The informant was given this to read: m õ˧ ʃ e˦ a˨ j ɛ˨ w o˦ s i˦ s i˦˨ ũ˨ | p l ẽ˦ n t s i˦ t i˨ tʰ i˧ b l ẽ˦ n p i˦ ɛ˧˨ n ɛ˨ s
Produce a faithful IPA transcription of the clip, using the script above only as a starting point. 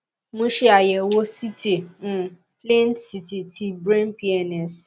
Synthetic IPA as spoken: m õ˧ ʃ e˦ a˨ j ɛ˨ w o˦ s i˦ t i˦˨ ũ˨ | p l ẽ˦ n t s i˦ t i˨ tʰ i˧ b ɾ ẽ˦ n p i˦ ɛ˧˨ n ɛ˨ s